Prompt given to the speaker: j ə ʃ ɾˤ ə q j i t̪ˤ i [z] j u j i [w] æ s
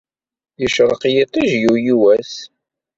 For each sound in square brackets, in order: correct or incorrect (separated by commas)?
incorrect, correct